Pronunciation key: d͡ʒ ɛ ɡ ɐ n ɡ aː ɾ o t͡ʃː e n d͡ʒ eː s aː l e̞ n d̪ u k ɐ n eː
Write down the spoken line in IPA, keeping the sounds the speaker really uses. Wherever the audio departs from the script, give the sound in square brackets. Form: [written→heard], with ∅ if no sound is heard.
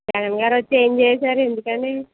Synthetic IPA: d͡ʒ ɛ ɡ ɐ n ɡ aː ɾ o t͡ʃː e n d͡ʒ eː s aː [l→ɾ] e̞ n d̪ u k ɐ n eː